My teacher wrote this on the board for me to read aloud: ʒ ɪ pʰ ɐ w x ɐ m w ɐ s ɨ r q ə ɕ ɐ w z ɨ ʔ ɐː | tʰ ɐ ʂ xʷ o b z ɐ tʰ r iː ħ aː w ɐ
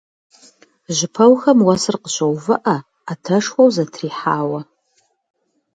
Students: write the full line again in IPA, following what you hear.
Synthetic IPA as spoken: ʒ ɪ pʰ ɐ w x ɐ m w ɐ s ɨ r q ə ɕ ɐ w v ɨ ʔ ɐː | tʰ ɐ ʂ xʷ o w z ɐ tʰ r iː ħ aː w ɐ